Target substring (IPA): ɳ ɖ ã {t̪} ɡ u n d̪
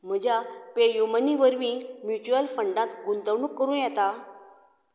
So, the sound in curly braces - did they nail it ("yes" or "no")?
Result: yes